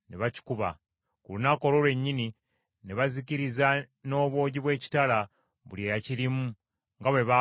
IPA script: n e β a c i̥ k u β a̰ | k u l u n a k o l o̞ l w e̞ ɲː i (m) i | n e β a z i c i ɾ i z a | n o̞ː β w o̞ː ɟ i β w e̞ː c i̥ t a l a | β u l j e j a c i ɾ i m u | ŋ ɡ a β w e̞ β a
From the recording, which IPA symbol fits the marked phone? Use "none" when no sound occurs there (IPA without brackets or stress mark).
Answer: n